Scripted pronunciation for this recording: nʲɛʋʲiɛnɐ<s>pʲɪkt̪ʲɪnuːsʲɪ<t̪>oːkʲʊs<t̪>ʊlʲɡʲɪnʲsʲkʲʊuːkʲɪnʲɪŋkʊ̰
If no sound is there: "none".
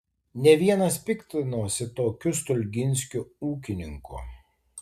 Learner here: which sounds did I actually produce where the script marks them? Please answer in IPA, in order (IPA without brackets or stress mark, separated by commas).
s, t̪, t̪